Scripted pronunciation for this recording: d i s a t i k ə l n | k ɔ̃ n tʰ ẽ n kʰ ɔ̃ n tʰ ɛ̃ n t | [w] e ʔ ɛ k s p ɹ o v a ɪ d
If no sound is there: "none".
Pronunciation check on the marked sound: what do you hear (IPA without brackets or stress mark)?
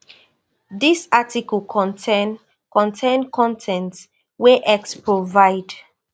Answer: w